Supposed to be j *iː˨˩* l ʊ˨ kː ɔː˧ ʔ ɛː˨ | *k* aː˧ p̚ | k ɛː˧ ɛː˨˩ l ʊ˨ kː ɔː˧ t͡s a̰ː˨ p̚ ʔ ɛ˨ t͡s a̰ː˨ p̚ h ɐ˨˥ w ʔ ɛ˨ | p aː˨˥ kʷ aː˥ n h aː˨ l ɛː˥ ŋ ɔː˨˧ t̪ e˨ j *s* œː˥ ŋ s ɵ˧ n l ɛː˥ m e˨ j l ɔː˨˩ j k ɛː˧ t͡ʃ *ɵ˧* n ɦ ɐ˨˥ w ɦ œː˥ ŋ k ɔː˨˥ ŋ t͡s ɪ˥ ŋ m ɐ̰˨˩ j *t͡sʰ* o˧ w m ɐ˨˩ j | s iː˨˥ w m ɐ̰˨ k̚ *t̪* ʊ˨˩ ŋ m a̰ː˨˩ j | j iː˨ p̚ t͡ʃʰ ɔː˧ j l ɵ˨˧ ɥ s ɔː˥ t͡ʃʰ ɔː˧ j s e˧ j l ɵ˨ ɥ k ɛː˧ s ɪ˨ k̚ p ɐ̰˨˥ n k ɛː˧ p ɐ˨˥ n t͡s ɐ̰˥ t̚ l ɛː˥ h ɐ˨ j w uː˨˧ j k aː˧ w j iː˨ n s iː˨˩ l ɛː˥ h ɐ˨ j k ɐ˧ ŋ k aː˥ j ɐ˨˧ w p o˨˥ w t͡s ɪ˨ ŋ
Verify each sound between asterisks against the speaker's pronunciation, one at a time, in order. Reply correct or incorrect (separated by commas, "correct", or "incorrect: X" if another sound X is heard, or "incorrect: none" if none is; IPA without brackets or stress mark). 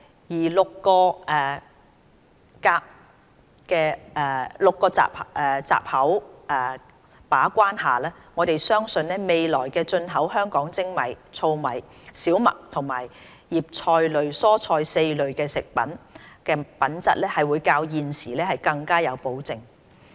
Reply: correct, correct, correct, correct, correct, incorrect: t̪ʰ